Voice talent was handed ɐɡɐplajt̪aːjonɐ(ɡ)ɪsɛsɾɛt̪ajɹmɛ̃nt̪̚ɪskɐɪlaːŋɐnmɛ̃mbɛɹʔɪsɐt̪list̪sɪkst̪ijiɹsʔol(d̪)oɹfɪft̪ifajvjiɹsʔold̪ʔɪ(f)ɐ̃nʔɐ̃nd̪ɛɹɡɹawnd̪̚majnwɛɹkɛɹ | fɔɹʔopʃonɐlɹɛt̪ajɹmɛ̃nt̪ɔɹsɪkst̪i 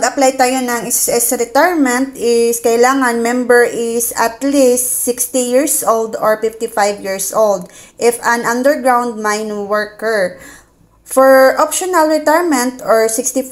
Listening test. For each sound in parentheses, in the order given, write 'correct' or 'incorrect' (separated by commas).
incorrect, correct, correct